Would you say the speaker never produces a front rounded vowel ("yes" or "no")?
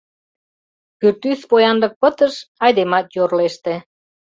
no